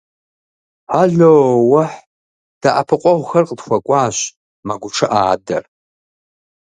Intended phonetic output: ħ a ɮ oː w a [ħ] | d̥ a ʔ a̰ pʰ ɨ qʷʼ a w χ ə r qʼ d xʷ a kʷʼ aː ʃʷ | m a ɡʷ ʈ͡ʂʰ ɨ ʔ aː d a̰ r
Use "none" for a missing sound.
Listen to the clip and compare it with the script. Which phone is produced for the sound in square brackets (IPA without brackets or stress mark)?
ħ